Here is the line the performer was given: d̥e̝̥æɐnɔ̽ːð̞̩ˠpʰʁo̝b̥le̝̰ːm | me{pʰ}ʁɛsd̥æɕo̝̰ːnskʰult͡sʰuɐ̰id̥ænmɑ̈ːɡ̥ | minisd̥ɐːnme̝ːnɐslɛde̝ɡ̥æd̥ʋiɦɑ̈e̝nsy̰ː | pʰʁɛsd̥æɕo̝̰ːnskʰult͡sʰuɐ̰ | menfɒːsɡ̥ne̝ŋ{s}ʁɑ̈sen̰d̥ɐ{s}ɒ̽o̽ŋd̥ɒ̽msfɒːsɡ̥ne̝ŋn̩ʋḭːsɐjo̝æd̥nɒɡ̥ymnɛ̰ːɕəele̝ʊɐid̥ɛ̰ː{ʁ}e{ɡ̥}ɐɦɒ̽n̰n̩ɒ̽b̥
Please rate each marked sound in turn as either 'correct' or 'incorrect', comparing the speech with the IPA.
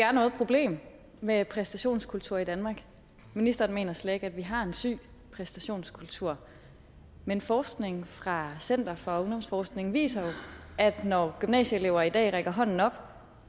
correct, incorrect: f, incorrect: f, correct, correct

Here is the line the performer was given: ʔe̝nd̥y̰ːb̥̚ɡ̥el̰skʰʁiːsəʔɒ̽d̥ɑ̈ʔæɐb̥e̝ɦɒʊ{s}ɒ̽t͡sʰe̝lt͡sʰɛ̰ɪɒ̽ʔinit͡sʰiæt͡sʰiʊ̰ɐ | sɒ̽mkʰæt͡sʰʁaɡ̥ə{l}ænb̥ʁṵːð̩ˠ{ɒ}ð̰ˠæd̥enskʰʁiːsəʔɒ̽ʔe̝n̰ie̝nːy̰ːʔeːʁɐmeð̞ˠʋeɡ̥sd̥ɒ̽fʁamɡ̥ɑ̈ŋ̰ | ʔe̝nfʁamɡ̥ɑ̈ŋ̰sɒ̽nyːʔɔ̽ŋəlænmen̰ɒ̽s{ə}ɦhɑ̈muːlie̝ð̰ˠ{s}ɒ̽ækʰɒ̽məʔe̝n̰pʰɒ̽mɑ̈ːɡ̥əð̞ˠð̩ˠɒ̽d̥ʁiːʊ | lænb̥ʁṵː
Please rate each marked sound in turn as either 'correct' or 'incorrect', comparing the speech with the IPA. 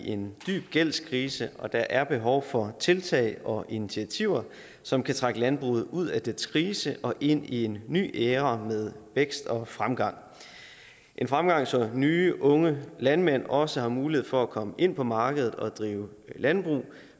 incorrect: f, correct, incorrect: u, correct, incorrect: f

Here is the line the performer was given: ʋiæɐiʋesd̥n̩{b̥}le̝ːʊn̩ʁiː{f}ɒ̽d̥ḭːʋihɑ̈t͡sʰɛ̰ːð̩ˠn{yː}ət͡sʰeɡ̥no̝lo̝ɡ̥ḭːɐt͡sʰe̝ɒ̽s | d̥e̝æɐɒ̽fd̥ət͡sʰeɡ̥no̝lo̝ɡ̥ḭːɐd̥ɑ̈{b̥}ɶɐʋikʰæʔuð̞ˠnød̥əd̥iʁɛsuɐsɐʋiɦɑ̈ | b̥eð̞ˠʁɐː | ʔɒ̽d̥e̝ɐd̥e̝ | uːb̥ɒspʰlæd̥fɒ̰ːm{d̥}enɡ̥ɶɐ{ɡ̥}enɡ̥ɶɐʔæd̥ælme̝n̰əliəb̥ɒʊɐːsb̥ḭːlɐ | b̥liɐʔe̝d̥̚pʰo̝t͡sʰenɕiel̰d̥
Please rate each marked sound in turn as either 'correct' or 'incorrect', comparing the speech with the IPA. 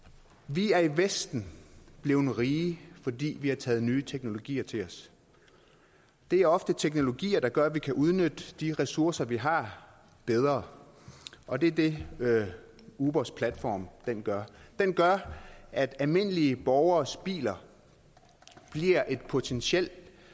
correct, correct, correct, incorrect: ɡ̥, correct, incorrect: d̥

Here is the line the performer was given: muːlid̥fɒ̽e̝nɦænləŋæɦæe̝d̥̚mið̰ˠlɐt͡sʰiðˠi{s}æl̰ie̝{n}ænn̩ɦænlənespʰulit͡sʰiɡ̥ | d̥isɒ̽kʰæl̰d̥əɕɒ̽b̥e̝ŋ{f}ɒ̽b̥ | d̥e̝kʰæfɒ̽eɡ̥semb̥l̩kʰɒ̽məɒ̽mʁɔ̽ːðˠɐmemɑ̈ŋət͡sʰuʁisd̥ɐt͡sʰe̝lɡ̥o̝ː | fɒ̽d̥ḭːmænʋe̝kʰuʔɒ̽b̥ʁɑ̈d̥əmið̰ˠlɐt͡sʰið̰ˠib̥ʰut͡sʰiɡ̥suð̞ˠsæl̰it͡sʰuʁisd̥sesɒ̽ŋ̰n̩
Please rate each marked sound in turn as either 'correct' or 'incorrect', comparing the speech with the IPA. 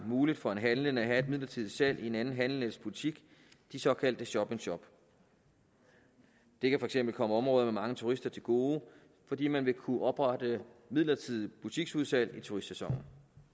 correct, correct, incorrect: ɕ

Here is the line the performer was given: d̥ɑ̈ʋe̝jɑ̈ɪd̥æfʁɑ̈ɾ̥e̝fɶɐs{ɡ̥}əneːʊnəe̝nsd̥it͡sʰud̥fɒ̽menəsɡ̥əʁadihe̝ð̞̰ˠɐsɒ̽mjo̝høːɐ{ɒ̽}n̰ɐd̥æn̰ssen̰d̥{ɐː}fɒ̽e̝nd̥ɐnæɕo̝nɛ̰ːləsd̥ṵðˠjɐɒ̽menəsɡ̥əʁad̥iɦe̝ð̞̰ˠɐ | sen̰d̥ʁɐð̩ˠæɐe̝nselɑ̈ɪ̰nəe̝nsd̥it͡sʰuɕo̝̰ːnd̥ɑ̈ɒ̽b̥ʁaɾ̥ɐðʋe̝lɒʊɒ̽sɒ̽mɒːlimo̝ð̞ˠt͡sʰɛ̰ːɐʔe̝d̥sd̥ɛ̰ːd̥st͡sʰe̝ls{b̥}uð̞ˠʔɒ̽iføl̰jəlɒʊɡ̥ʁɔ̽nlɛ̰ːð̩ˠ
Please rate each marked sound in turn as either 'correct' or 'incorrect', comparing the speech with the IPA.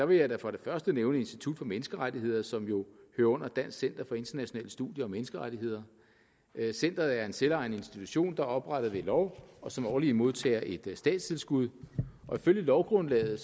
incorrect: d̥, incorrect: ɔ̽, incorrect: ɐ, incorrect: ɡ̥

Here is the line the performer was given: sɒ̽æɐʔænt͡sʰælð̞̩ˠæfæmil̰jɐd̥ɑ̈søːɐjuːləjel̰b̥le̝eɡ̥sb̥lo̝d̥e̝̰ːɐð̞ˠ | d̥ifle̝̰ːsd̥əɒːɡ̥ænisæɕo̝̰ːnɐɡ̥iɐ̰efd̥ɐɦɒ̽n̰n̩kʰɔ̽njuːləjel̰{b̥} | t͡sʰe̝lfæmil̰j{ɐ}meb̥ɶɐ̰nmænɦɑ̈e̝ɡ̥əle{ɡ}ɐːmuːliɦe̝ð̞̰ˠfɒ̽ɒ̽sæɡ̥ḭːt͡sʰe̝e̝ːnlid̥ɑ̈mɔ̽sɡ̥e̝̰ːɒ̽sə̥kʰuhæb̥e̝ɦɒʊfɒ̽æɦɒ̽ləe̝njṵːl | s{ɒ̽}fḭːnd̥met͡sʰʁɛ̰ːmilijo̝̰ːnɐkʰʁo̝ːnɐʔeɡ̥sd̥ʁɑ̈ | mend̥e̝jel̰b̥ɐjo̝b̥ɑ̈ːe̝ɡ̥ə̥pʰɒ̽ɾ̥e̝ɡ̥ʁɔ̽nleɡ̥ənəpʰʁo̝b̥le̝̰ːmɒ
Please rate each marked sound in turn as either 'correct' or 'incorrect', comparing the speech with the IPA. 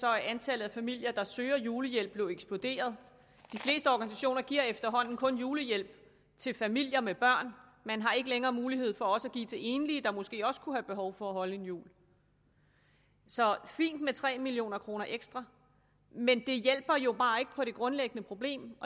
correct, correct, incorrect: ŋ, correct

